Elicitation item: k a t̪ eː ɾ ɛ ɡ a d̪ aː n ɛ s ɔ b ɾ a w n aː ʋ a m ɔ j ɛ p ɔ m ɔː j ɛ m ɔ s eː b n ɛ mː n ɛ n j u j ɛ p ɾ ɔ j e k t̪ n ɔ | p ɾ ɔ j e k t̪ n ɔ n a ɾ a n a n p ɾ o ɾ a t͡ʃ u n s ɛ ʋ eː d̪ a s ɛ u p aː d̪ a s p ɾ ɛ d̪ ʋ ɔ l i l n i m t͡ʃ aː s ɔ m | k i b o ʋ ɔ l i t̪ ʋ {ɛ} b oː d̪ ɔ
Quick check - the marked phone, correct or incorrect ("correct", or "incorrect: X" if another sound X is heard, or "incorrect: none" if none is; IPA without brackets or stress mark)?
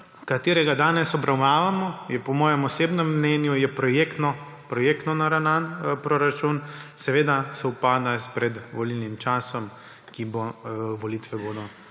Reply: correct